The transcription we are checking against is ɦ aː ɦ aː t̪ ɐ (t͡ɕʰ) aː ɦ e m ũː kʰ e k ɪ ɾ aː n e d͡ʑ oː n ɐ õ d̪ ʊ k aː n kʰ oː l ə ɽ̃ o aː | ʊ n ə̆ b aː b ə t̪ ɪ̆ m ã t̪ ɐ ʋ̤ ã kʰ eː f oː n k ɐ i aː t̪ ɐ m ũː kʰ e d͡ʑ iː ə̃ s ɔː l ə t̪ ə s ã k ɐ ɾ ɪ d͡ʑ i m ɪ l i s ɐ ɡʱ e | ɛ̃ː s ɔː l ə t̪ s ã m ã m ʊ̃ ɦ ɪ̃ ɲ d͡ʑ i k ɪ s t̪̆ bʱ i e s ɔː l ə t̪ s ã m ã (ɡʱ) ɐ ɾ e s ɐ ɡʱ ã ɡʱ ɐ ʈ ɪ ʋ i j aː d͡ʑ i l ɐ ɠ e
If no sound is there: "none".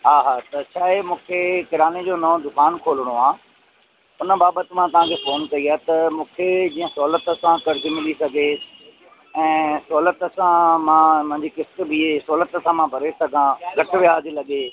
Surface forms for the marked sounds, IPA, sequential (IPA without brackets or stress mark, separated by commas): t͡ɕʰ, bʱ